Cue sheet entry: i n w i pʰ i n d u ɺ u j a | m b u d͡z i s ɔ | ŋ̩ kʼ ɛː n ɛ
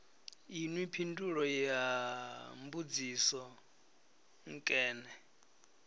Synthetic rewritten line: i n w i pʰ i n d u ɺ ɔ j a | m b u d͡z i s ɔ | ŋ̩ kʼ ɛː n ɛ